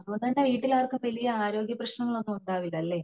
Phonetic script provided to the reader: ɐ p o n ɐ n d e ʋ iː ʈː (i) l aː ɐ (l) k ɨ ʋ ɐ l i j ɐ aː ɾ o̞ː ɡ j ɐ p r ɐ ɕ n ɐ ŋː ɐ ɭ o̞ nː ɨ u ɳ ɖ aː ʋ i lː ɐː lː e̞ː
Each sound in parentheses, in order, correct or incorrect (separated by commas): correct, incorrect